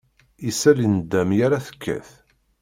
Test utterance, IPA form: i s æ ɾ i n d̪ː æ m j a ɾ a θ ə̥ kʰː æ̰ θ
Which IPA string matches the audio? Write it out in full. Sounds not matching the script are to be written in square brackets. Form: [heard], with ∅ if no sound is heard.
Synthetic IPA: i s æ [l] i n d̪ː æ m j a ɾ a θ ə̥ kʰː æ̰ θ